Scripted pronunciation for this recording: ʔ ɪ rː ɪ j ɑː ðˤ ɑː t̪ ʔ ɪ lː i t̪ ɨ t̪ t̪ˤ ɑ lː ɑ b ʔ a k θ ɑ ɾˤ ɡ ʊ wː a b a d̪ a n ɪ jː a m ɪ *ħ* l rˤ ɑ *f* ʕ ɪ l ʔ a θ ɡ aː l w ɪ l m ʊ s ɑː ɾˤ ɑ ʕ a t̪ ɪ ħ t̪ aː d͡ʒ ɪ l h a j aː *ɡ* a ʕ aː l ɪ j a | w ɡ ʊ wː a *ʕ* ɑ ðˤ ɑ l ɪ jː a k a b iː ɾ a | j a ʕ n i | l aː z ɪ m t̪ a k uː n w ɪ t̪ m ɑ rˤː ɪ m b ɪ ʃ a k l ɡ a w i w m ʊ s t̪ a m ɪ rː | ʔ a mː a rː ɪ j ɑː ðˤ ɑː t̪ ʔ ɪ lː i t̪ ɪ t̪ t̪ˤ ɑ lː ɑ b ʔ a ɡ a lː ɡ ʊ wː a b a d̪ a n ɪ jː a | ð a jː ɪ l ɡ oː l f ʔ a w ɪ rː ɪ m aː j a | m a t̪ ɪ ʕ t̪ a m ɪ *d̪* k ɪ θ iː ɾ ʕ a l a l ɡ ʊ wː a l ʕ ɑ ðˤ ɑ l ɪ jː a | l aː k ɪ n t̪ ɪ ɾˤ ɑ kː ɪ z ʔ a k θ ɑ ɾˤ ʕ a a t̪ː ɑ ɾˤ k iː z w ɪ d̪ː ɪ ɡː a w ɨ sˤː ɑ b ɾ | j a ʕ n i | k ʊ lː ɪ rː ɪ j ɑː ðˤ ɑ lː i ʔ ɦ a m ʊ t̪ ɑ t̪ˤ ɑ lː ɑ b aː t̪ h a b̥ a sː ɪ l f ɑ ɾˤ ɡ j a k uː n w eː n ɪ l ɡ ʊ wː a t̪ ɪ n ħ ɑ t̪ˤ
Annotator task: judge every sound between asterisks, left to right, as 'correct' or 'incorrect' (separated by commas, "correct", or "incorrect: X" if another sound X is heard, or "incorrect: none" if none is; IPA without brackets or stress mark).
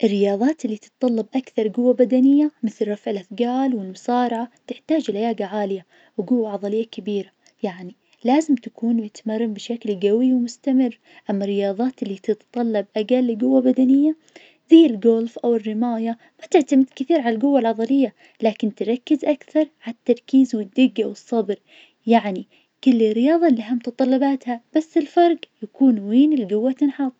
incorrect: θ, correct, correct, correct, correct